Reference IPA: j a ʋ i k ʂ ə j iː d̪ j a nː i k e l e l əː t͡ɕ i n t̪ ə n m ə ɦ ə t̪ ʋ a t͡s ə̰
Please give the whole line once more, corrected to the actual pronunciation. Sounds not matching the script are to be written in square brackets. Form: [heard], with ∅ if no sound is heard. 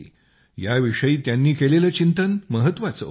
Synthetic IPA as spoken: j a ʋ i [∅] ʂ ə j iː [t̪] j a nː [iː] k e l e l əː t͡ɕ i n t̪ ə n m ə ɦ ə t̪ ʋ a t͡s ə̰